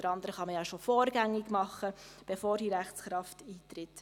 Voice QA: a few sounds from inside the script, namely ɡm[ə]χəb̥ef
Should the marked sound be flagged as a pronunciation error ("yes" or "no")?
yes